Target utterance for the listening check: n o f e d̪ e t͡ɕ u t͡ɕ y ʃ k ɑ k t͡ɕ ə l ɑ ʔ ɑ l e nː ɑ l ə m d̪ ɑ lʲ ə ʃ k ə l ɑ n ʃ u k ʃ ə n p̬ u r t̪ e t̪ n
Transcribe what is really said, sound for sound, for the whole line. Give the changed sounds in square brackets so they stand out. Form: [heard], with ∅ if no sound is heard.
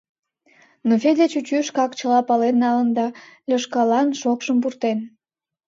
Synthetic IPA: n o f e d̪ e t͡ɕ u t͡ɕ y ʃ k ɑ k t͡ɕ ə l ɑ [p] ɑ l e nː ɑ l ə [n] d̪ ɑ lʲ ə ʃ k [ɑ] l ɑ n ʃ [o] k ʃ ə [m] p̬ u r t̪ e [∅] n